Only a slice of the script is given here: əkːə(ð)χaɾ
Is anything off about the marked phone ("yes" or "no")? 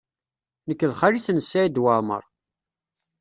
no